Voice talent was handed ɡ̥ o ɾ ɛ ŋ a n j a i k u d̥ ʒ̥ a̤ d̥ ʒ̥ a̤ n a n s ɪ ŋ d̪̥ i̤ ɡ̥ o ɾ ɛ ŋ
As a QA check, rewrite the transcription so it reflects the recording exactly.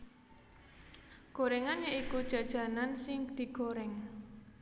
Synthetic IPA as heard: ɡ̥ o ɾ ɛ ŋ a n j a i k u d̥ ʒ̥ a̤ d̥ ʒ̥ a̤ n a n s ɪ ŋ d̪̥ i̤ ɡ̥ o ɾ ɛ ŋ